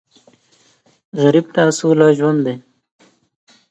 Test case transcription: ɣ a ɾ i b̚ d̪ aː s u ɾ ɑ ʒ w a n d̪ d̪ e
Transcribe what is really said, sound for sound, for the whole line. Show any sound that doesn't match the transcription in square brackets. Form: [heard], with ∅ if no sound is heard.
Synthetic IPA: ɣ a ɾ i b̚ [t̪] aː s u [l] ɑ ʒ w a n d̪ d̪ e